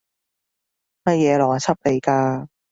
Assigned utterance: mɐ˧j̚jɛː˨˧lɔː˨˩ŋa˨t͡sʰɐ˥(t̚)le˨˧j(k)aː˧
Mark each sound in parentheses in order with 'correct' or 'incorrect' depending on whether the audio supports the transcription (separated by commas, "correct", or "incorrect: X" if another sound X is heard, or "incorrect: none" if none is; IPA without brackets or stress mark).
incorrect: p̚, correct